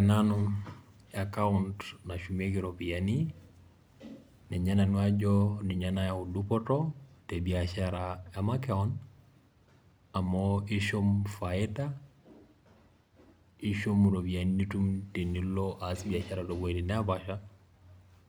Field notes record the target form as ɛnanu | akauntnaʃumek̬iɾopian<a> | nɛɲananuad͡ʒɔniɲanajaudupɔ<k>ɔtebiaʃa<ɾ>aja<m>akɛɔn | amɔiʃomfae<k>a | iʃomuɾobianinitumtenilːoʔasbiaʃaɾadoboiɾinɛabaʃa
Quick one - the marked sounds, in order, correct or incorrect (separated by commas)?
incorrect, incorrect, correct, correct, incorrect